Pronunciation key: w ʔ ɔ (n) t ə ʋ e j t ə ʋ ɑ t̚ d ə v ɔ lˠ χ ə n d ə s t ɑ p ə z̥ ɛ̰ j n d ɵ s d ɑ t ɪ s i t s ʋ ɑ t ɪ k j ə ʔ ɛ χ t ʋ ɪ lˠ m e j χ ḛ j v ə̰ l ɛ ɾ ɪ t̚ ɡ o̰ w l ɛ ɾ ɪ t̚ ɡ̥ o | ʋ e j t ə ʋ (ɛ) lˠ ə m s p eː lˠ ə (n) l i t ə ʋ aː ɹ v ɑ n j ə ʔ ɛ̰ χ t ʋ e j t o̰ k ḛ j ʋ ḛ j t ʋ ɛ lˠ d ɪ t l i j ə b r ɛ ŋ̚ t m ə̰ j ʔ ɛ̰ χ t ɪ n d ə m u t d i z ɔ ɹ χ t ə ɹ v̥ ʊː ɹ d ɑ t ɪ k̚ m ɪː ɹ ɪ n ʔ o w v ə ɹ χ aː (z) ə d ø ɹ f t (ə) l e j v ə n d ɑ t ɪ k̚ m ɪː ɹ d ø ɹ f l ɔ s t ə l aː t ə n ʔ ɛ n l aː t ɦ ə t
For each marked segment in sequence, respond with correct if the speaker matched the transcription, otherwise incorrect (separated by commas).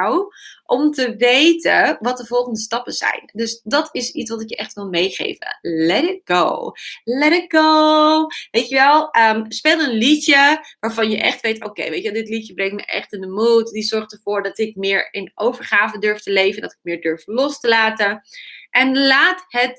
incorrect, correct, correct, incorrect, correct